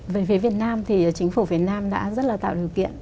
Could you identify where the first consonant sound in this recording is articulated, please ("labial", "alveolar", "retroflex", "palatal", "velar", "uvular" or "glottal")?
labial